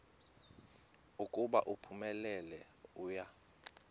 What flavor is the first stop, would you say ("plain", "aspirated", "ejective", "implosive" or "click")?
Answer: ejective